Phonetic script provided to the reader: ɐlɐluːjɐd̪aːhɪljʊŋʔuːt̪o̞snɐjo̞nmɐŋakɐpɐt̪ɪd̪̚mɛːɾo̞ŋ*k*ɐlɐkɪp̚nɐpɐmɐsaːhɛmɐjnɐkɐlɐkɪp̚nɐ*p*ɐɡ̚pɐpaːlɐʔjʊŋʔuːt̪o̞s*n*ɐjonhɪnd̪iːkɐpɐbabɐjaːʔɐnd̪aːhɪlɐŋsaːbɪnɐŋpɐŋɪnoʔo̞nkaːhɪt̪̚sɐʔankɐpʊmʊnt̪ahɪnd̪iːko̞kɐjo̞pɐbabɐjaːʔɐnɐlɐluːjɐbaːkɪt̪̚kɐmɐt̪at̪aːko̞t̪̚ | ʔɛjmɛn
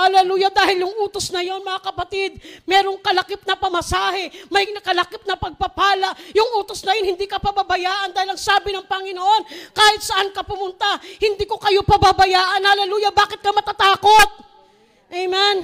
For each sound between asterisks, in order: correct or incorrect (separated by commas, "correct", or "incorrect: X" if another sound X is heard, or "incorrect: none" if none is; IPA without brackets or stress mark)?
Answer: correct, correct, correct